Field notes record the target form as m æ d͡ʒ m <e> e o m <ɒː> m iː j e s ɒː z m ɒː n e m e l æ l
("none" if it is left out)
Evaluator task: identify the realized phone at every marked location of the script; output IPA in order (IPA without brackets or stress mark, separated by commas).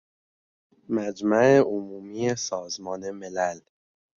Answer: æ, uː